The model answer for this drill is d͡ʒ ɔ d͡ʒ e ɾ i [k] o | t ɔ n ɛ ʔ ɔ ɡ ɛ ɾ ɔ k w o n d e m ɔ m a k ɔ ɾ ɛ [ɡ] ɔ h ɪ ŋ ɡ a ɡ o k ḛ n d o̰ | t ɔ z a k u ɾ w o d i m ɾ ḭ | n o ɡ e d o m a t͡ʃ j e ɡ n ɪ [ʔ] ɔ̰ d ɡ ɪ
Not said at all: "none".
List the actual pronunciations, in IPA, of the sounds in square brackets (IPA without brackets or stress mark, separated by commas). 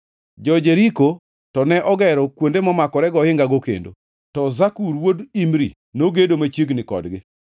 k, ɡ, k